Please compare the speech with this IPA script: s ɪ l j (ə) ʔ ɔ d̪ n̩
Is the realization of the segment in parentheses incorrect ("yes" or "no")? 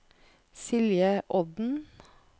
no